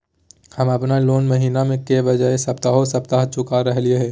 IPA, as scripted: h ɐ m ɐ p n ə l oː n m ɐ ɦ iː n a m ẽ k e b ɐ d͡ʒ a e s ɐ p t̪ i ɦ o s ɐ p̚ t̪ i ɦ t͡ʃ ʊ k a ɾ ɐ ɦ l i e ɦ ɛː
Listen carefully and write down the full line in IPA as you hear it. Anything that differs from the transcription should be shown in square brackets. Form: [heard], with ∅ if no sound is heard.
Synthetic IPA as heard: h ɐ m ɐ p n [a] l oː n m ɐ ɦ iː n a m ẽ k e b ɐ d͡ʒ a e s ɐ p t̪ [a] ɦ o s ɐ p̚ t̪ [a] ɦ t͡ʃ ʊ k a ɾ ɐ ɦ l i e ɦ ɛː